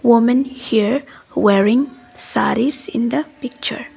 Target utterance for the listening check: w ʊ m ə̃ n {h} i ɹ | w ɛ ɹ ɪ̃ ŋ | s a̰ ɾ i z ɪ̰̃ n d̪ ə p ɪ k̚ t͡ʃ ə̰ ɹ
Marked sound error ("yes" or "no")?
no